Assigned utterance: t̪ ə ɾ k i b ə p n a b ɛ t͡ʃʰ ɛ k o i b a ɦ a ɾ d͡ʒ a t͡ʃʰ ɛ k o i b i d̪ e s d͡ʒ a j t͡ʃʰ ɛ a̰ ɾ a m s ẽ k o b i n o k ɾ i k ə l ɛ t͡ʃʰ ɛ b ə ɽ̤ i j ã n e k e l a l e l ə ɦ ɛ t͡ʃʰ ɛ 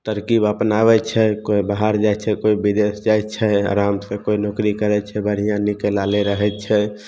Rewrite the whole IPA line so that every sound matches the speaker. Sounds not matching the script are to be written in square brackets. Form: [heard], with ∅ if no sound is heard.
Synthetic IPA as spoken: t̪ ə ɾ k i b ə p n a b ɛ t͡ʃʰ ɛ k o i b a ɦ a ɾ d͡ʒ a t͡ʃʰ ɛ k o i b i d̪ e s d͡ʒ a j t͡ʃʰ ɛ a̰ ɾ a m s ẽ k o [∅] i n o k ɾ i k ə [ɾ] ɛ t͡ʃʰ ɛ b ə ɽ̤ i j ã n [i] k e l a l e [ɾ] ə ɦ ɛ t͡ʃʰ ɛ